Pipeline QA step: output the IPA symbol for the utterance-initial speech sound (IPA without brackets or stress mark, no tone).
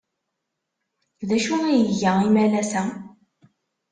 ð